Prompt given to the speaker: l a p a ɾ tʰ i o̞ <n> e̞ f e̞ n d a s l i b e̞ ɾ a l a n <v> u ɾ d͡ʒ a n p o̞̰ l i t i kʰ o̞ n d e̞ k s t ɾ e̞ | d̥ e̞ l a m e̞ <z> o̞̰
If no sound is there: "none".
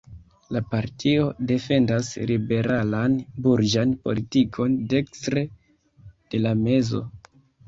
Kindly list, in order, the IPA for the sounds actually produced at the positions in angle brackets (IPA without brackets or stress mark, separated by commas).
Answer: d, b, z